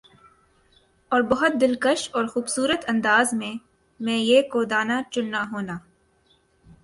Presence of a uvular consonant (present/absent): absent